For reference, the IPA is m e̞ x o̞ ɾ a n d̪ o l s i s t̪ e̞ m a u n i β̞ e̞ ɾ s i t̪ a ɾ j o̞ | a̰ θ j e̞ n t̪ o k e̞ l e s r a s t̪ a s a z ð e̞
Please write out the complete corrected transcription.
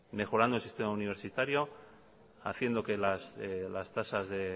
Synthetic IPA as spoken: m e̞ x o̞ ɾ a n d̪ o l s i s t̪ e̞ m a u n i β̞ e̞ ɾ s i t̪ a ɾ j o̞ | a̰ θ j e̞ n d̪ o k e̞ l a s l a s t̪ a s a z ð e̞